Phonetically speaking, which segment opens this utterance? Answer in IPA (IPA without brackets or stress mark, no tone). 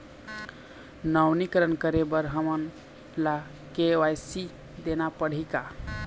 n